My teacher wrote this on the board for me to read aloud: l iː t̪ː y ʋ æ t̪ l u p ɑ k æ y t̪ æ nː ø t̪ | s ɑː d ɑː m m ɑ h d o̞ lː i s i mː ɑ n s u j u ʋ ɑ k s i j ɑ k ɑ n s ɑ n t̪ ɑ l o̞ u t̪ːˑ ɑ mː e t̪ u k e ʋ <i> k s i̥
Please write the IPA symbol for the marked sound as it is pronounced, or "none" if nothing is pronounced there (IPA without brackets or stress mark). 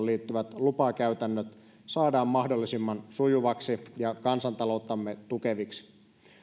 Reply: i